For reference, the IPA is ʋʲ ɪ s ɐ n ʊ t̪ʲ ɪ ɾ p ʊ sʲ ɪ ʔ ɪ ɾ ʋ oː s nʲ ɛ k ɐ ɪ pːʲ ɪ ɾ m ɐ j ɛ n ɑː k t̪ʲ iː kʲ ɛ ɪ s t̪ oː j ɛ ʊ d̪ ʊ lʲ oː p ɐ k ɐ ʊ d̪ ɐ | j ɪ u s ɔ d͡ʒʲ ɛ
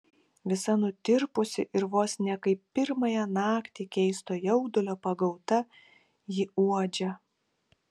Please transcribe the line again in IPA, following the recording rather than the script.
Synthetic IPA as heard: ʋʲ ɪ s ɐ n ʊ t̪ʲ ɪ ɾ p ʊ sʲ ɪ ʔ ɪ ɾ ʋ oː s nʲ ɛ k ɐ ɪ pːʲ ɪ ɾ m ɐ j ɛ n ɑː k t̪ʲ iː kʲ ɛ ɪ s t̪ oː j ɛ ʊ d̪ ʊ lʲ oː p ɐ ɡ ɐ ʊ t̪ ɐ | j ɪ u ɔ d͡ʒʲ ɛ

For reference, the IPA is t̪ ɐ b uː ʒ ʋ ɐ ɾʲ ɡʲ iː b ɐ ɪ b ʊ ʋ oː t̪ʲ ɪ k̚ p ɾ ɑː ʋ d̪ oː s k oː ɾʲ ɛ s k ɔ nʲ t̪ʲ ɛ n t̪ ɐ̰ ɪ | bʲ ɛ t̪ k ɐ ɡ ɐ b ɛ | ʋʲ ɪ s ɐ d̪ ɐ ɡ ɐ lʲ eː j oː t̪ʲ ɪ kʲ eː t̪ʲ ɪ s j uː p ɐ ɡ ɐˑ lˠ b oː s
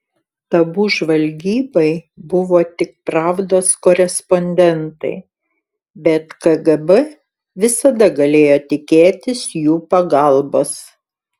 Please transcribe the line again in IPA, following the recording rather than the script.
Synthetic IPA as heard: t̪ ɐ b uː ʒ ʋ ɐ lʲ ɡʲ iː b ɐ ɪ b ʊ ʋ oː t̪ʲ ɪ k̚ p ɾ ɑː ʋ d̪ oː s k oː ɾʲ ɛ s p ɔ nʲ d̪ʲ ɛ n t̪ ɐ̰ ɪ | bʲ ɛ t̪ k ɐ ɡ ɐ b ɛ | ʋʲ ɪ s ɐ d̪ ɐ ɡ ɐ lʲ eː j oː t̪ʲ ɪ kʲ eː t̪ʲ ɪ s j uː p ɐ ɡ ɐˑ lˠ b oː s

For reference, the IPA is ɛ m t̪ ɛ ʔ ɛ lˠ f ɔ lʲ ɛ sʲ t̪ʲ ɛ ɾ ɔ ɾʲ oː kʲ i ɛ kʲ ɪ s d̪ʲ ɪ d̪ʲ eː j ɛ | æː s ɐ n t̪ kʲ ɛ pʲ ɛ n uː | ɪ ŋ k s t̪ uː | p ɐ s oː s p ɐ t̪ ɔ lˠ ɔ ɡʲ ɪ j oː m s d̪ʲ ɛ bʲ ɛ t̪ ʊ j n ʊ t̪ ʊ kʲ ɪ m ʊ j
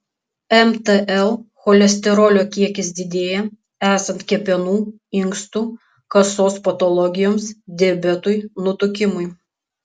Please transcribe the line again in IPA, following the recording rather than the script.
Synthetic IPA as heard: ɛ m t̪ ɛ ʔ ɛ lˠ x ɔ lʲ ɛ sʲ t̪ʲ ɛ ɾ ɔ lʲ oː kʲ i ɛ kʲ ɪ s d̪ʲ ɪ d̪ʲ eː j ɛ | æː s ɐ n t̪ kʲ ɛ pʲ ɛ n uː | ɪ ŋ k s t̪ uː | k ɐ s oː s p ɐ t̪ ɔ lˠ ɔ ɡʲ ɪ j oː m s d̪ʲ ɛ bʲ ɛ t̪ ʊ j n ʊ t̪ ʊ kʲ ɪ m ʊ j

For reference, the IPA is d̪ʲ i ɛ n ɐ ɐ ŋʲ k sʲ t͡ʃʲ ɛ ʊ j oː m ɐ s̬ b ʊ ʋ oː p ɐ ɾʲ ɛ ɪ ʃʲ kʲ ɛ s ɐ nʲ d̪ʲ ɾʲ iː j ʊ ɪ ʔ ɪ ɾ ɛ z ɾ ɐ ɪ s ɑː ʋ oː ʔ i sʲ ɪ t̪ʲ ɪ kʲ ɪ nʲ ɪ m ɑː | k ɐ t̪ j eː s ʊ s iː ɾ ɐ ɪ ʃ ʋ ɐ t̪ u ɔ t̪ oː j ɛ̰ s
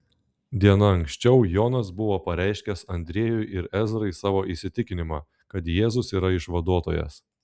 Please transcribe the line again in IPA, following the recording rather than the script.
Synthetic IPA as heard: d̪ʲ i ɛ n ɐ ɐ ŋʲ k sʲ t͡ʃʲ ɛ ʊ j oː n ɐ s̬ b ʊ ʋ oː p ɐ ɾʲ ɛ ɪ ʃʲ kʲ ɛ s ɐ nʲ d̪ʲ ɾʲ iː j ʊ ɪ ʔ ɪ ɾ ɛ z ɾ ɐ ɪ s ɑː ʋ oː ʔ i sʲ ɪ t̪ʲ ɪ kʲ ɪ nʲ ɪ m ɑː | k ɐ t̪ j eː z ʊ s iː ɾ ɐ ɪ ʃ ʋ ɐ d̪ u ɔ t̪ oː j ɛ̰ s

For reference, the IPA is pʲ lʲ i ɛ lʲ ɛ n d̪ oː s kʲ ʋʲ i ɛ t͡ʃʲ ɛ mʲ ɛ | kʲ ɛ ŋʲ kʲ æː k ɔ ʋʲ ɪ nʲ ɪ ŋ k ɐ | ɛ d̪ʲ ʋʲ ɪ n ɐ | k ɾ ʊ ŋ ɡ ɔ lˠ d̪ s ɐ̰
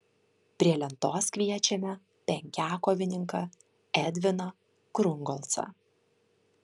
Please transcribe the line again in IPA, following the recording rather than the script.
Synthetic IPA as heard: pʲ ɾʲ i ɛ lʲ ɛ n t̪ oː s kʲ ʋʲ i ɛ t͡ʃʲ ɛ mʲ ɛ | pʲ ɛ ŋʲ kʲ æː k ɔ ʋʲ ɪ nʲ ɪ ŋ k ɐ | ɛ d̪ʲ ʋʲ ɪ n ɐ | k ɾ ʊ ŋ ɡ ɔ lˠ t̪ s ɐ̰

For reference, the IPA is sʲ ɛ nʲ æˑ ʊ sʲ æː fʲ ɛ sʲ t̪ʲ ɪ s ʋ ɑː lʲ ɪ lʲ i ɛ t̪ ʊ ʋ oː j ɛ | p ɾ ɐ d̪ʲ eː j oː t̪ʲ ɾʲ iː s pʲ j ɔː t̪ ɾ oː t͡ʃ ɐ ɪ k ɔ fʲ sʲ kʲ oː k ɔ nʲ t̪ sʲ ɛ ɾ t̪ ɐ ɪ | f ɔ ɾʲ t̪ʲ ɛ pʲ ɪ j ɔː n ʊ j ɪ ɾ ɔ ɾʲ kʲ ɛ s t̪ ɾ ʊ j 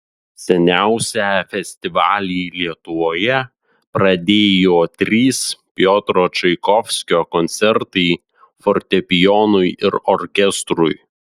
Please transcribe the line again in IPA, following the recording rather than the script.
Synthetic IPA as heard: sʲ ɛ nʲ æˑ ʊ sʲ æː fʲ ɛ sʲ t̪ʲ ɪ ʋ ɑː lʲ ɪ lʲ i ɛ t̪ ʊ ʋ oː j ɛ | p ɾ ɐ d̪ʲ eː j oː t̪ʲ ɾʲ iː s pʲ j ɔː t̪ ɾ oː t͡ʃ ɐ ɪ k ɔ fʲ sʲ kʲ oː k ɔ nʲ t̪ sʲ ɛ ɾ t̪ ɐ ɪ | f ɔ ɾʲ t̪ʲ ɛ pʲ ɪ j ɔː n ʊ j ɪ ɾ ɔ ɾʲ kʲ ɛ s t̪ ɾ ʊ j

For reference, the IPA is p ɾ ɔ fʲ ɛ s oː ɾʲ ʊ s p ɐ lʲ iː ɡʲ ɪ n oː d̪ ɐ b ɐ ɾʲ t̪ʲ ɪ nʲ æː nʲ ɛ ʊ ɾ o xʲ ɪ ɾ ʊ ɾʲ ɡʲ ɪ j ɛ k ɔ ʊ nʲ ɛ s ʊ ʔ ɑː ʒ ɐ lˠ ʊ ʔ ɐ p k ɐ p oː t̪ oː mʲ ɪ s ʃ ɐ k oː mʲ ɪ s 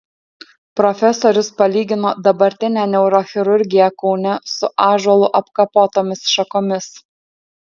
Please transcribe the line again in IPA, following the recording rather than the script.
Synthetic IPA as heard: p ɾ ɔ fʲ ɛ s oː ɾʲ ʊ s p ɐ lʲ iː ɡʲ ɪ n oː d̪ ɐ b ɐ ɾʲ t̪ʲ ɪ nʲ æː nʲ ɛ ʊ ɾ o xʲ ɪ ɾ ʊ ɾʲ ɡʲ ɪ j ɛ k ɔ ʊ nʲ ɛ s ʊ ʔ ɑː ʒ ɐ lˠ ʊ ʔ ɐ p k ɐ p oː t̪ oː mʲ ɪ s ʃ ɐ k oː mʲ ɪ s

